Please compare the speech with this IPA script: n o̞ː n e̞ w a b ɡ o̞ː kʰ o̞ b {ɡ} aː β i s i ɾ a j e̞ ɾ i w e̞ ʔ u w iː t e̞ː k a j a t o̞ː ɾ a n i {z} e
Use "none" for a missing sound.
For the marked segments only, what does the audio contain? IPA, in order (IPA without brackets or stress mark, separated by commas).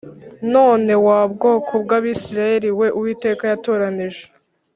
ɡ, ʒ